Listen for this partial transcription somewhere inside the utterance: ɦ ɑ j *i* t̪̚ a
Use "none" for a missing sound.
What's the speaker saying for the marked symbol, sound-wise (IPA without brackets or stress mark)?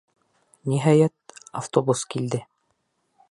æ